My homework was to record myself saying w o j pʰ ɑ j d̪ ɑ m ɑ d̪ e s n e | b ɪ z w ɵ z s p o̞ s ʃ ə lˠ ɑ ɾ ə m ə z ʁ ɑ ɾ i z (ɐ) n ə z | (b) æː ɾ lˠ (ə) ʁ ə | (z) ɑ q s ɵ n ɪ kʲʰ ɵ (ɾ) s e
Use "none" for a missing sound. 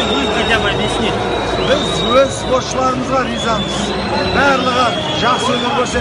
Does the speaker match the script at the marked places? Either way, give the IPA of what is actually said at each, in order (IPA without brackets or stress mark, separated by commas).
ɑ, b, ə, ʒ, ɾ